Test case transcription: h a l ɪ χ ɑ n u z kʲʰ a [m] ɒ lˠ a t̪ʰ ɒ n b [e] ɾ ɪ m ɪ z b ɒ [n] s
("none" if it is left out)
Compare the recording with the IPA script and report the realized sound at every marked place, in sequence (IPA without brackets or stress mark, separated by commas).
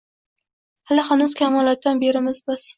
m, e, none